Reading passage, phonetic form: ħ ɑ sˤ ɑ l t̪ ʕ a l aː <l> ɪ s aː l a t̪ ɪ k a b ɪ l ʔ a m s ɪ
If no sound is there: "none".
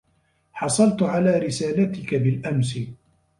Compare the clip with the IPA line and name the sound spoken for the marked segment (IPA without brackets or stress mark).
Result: ɾ